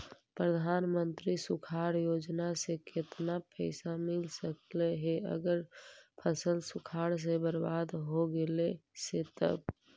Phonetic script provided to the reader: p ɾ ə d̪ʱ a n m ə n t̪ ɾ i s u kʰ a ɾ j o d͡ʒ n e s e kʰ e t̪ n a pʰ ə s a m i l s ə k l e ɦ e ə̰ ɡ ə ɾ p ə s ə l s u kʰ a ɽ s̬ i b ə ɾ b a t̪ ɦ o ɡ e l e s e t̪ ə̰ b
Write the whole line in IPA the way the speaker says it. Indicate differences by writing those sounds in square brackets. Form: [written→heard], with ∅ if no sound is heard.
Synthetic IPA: p ɾ ə d̪ʱ a n m ə n t̪ ɾ i s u kʰ a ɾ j o d͡ʒ n [e→a] s e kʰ e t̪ n a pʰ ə s a m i l s ə k l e ɦ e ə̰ ɡ ə ɾ [p→pʰ] ə s ə l s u kʰ a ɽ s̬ [i→e] b ə ɾ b a [t̪→d̪] ɦ o ɡ e l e s e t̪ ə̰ b

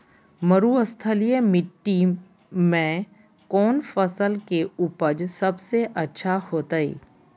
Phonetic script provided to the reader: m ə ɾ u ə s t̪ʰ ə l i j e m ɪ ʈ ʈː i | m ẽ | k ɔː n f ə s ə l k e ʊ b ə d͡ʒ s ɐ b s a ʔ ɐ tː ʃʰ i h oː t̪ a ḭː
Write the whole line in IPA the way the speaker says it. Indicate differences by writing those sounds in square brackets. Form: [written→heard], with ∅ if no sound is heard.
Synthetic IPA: m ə ɾ u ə s t̪ʰ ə l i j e m ɪ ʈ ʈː i | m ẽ | k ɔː n f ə s ə l k e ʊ [b→p] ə d͡ʒ s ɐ b s [a→e] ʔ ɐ tː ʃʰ [i→a] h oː t̪ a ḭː

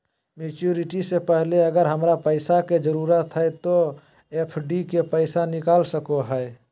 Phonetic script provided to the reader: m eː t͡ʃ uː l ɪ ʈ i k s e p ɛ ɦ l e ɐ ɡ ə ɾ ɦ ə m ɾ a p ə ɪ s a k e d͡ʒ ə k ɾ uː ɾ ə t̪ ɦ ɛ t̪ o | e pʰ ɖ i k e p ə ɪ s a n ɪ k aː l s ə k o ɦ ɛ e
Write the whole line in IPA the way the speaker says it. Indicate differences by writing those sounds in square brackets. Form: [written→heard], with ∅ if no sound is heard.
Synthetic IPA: m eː t͡ʃ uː [l→ɾ] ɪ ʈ i [k→∅] s e p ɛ ɦ l e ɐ ɡ ə ɾ ɦ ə m ɾ a p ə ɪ s a k e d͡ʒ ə [k→∅] ɾ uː ɾ ə t̪ ɦ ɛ t̪ o | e pʰ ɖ i k e p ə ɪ s a n ɪ k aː l s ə k o ɦ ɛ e

